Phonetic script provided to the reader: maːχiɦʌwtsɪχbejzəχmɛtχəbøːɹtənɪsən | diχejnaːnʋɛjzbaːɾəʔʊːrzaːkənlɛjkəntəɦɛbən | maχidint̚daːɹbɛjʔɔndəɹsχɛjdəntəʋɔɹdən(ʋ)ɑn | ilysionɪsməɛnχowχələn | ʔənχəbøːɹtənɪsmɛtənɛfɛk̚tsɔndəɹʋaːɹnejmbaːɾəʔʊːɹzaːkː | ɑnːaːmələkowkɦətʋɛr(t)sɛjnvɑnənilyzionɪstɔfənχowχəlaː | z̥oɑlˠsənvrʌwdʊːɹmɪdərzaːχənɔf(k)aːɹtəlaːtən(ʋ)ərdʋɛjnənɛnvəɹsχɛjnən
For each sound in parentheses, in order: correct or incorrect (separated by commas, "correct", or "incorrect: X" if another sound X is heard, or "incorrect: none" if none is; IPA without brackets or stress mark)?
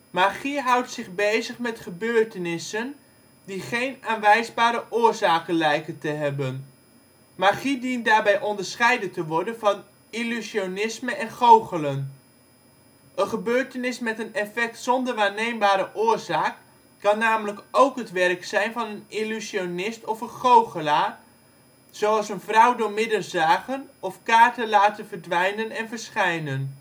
incorrect: v, incorrect: k, correct, incorrect: v